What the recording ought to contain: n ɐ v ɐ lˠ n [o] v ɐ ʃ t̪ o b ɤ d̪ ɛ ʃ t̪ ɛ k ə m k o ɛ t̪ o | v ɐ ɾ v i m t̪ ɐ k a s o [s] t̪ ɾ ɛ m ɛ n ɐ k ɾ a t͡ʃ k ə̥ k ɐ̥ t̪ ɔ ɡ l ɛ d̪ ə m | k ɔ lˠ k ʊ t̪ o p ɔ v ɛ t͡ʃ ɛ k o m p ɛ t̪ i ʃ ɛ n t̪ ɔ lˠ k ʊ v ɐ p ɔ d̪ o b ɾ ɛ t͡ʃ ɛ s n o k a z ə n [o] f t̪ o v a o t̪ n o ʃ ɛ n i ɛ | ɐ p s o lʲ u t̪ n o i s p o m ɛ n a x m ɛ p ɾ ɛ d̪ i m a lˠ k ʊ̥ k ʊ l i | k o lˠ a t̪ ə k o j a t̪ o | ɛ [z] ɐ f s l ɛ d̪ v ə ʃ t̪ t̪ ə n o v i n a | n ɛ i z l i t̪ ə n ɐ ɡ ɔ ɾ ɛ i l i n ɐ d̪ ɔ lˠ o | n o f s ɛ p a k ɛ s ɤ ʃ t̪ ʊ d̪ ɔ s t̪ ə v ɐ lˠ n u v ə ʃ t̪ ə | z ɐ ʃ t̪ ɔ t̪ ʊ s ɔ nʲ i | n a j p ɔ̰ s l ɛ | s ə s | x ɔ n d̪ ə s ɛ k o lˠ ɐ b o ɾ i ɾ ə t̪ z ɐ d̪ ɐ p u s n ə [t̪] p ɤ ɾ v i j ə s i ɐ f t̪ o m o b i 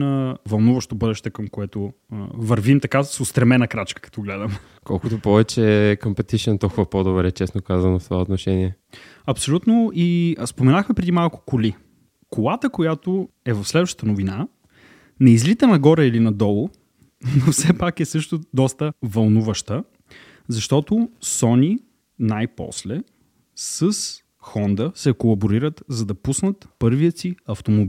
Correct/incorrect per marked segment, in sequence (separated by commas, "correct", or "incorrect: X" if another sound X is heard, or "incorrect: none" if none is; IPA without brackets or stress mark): incorrect: u, correct, correct, incorrect: v, correct